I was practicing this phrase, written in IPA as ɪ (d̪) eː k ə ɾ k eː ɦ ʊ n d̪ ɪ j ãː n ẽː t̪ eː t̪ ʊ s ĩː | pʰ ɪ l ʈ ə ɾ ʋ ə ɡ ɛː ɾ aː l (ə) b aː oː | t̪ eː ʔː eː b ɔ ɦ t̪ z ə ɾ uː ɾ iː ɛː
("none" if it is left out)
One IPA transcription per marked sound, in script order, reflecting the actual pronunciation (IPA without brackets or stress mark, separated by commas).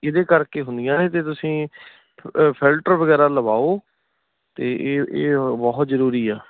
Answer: d̪, ə